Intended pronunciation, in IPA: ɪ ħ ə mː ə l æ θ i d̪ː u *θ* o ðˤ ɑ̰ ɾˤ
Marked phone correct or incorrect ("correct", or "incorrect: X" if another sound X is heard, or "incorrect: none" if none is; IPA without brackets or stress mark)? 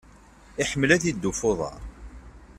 incorrect: f